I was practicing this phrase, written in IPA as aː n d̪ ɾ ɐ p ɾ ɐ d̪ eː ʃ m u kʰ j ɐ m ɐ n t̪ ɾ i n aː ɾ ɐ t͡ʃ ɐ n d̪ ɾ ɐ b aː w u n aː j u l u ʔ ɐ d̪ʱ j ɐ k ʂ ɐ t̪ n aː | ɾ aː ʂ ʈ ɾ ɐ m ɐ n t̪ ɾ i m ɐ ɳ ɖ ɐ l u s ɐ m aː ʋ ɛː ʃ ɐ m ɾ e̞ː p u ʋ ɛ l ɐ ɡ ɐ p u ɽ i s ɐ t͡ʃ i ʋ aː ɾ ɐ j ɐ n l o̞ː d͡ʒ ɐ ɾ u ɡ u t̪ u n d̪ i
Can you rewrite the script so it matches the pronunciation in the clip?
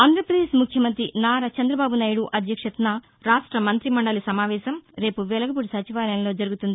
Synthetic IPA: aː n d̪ ɾ ɐ p ɾ ɐ d̪ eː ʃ m u kʰ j ɐ m ɐ n t̪ ɾ i n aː ɾ ɐ t͡ʃ ɐ n d̪ ɾ ɐ b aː b u n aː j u ɽ u ʔ ɐ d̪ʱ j ɐ k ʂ ɐ t̪ n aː | ɾ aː ʂ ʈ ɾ ɐ m ɐ n t̪ ɾ i m ɐ ɳ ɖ ɐ l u s ɐ m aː ʋ ɛː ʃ ɐ m ɾ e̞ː p u ʋ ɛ l ɐ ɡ ɐ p u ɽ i s ɐ t͡ʃ i ʋ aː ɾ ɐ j ɐ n l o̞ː d͡ʒ ɐ ɾ u ɡ u t̪ u n d̪ i